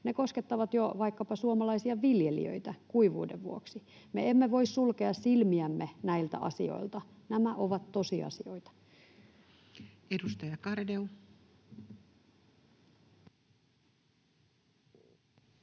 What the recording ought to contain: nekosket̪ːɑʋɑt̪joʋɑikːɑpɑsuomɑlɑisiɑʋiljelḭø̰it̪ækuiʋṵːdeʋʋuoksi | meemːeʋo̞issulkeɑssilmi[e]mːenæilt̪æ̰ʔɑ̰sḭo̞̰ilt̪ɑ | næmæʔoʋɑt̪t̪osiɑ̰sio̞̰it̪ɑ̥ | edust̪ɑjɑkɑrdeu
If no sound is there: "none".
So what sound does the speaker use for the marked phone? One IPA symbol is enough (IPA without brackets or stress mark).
æ